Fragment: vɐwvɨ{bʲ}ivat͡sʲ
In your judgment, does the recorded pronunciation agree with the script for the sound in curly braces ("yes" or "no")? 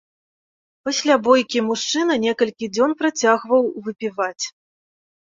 no